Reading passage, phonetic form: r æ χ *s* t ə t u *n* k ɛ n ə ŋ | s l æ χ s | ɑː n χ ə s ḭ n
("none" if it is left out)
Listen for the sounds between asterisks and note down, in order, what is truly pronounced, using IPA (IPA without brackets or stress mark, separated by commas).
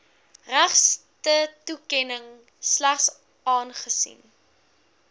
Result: s, none